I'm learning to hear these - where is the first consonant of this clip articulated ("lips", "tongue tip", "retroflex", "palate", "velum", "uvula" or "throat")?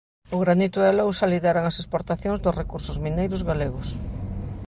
velum